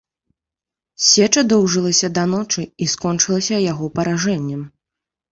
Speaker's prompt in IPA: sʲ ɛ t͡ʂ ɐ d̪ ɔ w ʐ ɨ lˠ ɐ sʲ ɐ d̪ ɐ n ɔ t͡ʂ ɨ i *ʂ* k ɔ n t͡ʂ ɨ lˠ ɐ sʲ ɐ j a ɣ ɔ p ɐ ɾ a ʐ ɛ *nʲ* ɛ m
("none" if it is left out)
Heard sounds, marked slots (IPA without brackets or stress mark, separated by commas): s, nʲː